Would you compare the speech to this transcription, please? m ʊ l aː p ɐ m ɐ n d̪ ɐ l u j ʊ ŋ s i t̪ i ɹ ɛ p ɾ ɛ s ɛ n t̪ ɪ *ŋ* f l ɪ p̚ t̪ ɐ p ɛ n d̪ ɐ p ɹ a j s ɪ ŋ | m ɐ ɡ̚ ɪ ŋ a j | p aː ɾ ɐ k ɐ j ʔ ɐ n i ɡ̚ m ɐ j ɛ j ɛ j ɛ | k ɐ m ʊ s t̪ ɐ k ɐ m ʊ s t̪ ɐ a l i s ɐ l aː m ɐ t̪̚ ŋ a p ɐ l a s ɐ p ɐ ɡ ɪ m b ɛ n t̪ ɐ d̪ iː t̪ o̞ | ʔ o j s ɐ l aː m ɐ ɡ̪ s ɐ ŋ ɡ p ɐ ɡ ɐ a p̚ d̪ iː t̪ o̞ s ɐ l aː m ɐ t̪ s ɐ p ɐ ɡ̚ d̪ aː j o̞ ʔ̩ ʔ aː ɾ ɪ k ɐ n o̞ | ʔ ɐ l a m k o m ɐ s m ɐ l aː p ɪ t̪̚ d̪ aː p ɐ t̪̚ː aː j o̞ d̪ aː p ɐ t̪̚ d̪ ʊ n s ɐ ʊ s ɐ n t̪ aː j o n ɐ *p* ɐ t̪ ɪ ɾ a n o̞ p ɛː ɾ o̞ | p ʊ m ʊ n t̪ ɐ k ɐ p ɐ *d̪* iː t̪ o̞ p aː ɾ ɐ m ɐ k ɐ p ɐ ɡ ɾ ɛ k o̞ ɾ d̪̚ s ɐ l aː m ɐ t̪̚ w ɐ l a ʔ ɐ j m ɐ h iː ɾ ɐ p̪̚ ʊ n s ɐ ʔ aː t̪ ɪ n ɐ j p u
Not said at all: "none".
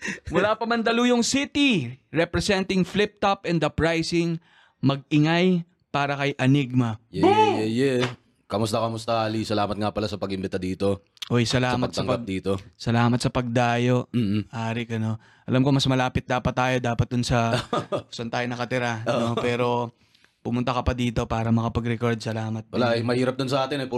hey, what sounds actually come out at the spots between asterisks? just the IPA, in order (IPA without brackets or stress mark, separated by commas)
ŋ, k, d̪